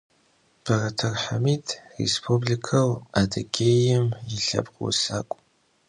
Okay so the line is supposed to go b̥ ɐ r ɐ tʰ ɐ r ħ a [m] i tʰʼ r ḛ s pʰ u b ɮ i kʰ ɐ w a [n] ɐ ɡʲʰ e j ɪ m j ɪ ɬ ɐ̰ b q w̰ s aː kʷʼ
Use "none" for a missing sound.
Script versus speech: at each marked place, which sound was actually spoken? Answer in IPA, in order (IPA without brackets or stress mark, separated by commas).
m, d